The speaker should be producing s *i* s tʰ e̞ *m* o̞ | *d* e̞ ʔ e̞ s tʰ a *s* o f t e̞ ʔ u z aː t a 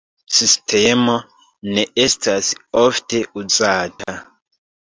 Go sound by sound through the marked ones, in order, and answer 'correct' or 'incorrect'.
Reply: correct, correct, incorrect: n, correct

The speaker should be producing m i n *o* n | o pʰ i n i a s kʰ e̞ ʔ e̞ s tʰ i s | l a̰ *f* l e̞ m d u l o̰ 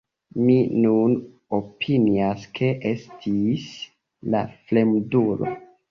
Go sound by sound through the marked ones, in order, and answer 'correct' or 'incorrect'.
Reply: incorrect: u, correct

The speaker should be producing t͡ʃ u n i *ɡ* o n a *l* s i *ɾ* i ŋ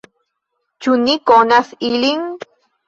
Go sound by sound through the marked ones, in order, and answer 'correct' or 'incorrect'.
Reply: incorrect: k, incorrect: none, incorrect: l

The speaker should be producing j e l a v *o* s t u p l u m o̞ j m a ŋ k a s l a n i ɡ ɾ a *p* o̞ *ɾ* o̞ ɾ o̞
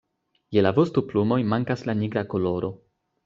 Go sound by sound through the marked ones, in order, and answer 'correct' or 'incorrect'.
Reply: correct, incorrect: k, incorrect: l

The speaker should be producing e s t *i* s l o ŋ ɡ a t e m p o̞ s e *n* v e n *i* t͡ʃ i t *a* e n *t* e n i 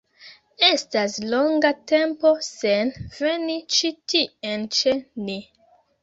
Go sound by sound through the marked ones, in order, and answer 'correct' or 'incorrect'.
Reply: incorrect: a, correct, correct, incorrect: i, incorrect: t͡ʃ

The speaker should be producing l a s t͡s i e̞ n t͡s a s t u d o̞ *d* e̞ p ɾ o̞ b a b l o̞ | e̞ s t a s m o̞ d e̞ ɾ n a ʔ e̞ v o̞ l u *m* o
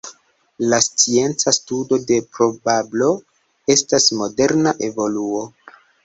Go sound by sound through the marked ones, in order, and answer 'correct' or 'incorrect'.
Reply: correct, incorrect: none

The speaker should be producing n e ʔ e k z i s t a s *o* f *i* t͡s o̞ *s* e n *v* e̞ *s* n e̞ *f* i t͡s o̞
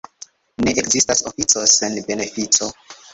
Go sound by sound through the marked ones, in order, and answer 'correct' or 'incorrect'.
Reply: correct, correct, correct, incorrect: b, incorrect: none, correct

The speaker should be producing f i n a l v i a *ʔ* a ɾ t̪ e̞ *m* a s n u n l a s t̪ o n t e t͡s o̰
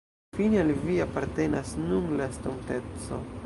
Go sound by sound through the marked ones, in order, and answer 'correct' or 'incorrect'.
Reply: incorrect: p, incorrect: n

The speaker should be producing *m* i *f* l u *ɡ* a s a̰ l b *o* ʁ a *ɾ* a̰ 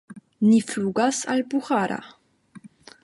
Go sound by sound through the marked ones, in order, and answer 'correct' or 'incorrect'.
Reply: incorrect: n, correct, correct, incorrect: u, correct

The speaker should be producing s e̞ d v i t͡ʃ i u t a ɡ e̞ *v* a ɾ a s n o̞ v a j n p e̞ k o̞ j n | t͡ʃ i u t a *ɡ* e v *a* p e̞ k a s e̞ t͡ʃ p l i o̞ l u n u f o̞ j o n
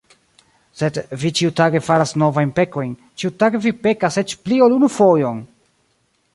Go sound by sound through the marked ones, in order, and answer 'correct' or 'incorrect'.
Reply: incorrect: f, correct, incorrect: i

